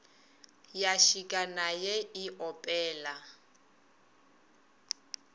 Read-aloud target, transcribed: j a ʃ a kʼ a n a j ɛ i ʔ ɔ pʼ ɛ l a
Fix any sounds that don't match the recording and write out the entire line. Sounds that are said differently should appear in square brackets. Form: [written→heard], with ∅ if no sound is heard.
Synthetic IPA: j a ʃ [a→i] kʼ a n a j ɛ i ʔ ɔ pʼ [ɛ→ɛː] l a